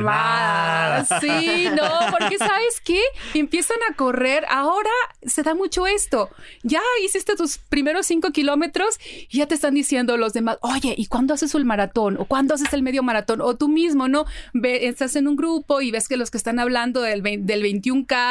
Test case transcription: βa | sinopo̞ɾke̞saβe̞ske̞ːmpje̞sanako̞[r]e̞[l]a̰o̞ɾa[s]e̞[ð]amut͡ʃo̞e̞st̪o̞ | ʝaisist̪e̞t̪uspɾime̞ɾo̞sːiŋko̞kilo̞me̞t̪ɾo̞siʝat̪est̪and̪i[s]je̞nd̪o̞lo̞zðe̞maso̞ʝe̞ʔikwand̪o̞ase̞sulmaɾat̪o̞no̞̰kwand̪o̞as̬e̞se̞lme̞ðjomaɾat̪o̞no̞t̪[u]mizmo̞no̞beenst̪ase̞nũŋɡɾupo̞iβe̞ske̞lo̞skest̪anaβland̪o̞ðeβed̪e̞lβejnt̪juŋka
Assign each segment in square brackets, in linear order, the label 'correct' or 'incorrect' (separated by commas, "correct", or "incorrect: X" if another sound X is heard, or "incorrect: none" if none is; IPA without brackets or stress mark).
correct, incorrect: ɾ, correct, correct, correct, correct